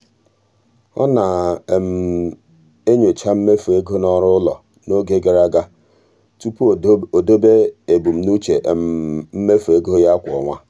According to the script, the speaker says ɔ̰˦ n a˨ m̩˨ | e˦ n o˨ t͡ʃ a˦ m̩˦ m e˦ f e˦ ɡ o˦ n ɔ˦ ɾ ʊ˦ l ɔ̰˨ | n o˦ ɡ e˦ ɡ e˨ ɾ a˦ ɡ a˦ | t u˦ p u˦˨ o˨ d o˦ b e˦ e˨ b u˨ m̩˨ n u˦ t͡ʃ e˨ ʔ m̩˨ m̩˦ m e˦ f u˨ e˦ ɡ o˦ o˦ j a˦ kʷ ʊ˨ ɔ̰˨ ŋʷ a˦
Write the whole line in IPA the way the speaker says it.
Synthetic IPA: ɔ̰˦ n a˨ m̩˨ | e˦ ɲ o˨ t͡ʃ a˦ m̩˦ m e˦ f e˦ ɡ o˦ n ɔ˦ ɾ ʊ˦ l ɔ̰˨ | n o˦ ɡ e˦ ɡ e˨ ɾ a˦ ɡ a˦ | t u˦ p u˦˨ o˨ d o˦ b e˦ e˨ b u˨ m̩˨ n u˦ t͡ʃ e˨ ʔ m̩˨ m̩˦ m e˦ f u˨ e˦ ɡ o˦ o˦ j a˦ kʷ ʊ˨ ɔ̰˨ ŋʷ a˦